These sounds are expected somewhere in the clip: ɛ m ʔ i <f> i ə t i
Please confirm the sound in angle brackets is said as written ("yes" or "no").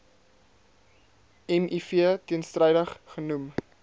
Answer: yes